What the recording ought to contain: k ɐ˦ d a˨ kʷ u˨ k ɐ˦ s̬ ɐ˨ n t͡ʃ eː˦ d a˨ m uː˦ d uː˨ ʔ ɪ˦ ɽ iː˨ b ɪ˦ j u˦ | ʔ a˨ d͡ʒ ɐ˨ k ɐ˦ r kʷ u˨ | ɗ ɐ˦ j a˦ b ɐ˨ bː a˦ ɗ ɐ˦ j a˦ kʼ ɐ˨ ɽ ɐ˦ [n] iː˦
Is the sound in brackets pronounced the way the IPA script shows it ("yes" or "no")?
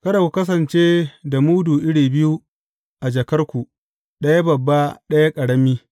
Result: no